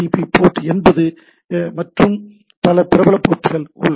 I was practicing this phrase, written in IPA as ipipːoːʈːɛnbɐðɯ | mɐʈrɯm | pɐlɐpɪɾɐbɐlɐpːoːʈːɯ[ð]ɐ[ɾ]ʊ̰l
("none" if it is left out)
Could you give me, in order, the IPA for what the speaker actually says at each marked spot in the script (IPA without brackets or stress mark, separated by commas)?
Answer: ɣ, ɭ